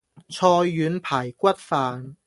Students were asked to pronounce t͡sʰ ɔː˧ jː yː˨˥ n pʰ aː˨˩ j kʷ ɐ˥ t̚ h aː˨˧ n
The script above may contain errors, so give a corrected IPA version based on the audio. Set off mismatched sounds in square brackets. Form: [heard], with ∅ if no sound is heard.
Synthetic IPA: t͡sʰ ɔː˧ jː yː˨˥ n pʰ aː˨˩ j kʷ ɐ˥ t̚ [f] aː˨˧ n